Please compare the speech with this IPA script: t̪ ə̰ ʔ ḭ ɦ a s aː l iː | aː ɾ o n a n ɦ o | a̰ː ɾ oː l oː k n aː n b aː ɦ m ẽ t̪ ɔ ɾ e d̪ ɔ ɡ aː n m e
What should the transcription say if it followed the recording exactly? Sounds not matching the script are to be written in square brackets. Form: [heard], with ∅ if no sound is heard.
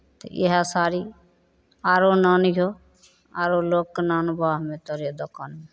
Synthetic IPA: t̪ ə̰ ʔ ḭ ɦ a s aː [ɾ] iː | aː ɾ o n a n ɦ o | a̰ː ɾ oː l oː k n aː n b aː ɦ m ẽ t̪ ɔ ɾ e d̪ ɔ [k] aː n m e